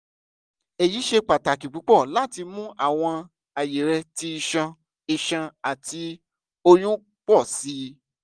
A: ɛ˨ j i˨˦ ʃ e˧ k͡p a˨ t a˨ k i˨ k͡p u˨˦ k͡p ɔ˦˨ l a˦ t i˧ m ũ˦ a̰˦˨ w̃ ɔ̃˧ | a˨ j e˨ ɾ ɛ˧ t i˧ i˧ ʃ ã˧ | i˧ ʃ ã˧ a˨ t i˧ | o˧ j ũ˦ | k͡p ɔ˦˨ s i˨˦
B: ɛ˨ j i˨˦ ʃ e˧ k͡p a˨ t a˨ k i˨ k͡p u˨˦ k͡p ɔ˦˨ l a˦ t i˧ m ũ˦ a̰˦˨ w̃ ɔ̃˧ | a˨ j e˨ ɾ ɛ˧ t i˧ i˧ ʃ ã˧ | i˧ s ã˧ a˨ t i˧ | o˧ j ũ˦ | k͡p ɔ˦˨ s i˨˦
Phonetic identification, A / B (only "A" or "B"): A